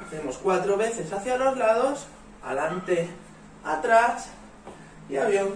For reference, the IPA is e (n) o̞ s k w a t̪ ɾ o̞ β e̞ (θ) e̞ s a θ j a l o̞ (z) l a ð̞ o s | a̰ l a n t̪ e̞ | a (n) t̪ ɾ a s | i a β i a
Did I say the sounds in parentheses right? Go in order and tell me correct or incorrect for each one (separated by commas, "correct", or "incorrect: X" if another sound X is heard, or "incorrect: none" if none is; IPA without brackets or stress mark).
incorrect: m, correct, correct, incorrect: none